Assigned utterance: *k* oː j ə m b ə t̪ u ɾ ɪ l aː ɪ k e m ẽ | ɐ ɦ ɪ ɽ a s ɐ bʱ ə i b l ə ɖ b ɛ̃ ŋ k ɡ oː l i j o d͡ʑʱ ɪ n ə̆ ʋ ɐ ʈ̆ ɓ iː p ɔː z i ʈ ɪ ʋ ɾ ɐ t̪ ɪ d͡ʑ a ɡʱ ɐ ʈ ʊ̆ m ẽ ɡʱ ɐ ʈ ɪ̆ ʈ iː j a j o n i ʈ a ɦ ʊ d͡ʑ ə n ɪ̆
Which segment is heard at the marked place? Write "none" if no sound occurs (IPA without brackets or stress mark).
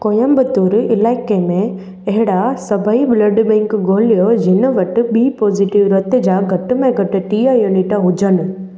k